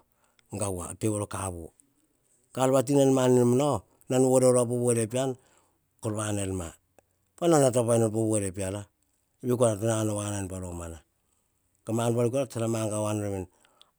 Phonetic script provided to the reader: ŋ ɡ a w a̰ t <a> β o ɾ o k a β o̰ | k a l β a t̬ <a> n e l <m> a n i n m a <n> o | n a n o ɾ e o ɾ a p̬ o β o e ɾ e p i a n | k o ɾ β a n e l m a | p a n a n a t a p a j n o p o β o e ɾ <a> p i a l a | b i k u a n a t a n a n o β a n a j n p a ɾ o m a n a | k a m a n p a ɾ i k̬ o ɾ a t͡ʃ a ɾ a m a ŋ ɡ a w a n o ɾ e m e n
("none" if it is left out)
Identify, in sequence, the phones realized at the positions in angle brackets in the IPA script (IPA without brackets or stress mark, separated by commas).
e, i, m, n, e